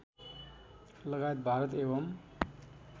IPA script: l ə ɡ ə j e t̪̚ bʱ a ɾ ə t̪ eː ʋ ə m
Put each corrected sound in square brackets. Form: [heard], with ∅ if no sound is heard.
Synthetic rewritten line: l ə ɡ [a] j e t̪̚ bʱ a ɾ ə t̪ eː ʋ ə m